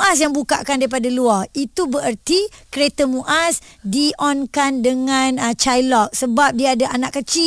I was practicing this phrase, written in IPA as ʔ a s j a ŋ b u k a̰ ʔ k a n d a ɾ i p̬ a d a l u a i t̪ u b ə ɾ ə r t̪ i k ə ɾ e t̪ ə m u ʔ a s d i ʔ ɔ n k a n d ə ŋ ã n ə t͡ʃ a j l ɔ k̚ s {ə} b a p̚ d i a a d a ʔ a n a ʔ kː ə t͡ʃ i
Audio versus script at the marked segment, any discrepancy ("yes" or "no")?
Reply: no